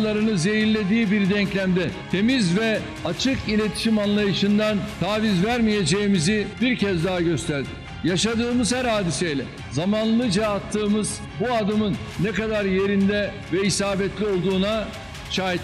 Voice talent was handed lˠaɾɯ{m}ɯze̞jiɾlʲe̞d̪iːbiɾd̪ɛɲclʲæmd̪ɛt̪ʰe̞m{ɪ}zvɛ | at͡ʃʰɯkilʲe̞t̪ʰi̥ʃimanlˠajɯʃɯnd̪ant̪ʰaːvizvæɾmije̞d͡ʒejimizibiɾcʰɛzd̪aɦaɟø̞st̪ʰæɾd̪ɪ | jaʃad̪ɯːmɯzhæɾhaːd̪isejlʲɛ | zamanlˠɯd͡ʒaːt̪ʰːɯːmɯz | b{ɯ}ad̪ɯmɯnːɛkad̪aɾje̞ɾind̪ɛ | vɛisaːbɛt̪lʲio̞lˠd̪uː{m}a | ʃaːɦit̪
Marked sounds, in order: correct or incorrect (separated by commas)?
incorrect, incorrect, incorrect, incorrect